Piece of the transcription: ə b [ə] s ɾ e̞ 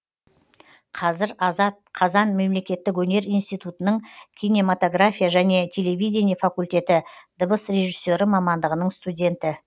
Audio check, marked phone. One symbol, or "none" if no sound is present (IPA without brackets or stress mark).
ə